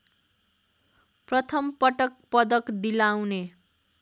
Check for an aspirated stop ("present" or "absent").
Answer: present